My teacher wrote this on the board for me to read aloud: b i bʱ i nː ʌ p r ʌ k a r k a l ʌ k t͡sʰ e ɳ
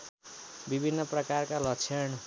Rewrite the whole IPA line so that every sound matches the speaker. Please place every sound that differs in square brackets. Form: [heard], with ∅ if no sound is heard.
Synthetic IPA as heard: b i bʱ i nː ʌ p r ʌ k a r k a l ʌ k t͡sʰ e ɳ